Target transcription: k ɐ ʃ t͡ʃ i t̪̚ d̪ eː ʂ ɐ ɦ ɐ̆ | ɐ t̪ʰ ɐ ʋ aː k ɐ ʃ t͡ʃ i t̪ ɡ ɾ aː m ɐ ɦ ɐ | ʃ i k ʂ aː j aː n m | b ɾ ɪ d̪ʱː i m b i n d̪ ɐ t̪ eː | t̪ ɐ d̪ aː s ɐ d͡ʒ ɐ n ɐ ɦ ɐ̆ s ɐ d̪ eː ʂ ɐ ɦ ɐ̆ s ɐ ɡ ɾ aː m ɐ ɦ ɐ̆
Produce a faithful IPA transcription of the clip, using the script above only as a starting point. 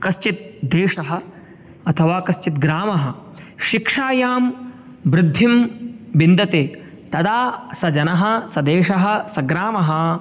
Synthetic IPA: k ɐ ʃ t͡ʃ i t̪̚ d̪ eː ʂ ɐ ɦ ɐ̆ | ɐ t̪ʰ ɐ ʋ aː k ɐ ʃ t͡ʃ i t̪ ɡ ɾ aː m ɐ ɦ ɐ | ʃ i k ʂ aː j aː m | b ɾ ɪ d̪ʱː i m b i n d̪ ɐ t̪ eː | t̪ ɐ d̪ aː s ɐ d͡ʒ ɐ n ɐ ɦ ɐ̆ s ɐ d̪ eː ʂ ɐ ɦ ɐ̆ s ɐ ɡ ɾ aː m ɐ ɦ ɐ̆